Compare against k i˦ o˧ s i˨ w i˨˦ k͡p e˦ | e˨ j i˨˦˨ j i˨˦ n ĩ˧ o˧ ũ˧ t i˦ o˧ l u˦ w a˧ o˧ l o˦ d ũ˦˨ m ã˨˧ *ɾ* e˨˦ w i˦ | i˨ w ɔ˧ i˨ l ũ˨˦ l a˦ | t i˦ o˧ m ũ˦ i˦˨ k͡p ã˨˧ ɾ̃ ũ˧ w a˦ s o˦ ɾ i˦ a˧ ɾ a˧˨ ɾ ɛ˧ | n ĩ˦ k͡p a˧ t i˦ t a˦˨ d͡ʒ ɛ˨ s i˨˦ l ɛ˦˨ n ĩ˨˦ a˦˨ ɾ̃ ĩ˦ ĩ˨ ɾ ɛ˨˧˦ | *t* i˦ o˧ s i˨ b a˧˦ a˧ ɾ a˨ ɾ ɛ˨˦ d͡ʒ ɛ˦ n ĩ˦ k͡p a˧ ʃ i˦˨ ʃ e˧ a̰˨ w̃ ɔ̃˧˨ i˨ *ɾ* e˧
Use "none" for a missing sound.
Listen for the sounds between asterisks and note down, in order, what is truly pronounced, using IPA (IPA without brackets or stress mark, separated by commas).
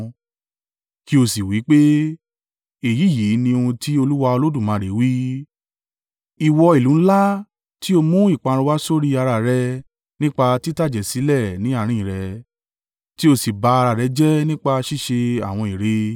ɾ, t, ɾ